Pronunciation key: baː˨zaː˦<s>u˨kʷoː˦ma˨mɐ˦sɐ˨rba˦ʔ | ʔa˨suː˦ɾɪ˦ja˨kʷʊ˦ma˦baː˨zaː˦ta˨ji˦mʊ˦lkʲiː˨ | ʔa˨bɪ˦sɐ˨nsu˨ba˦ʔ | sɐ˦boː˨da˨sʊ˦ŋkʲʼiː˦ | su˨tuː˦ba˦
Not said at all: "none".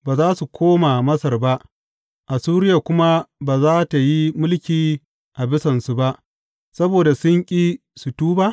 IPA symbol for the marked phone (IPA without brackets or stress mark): s